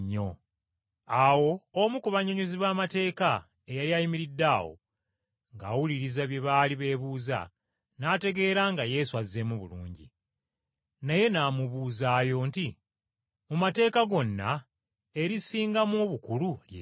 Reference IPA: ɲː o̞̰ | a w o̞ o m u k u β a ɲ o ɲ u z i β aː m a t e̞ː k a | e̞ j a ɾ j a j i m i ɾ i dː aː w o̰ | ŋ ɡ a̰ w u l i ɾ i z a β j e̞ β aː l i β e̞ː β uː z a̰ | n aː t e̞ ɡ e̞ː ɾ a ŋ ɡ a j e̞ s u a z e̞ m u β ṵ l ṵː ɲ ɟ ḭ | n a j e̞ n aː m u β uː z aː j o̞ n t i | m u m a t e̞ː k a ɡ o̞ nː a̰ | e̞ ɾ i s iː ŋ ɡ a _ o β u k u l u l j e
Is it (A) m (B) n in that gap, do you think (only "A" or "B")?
A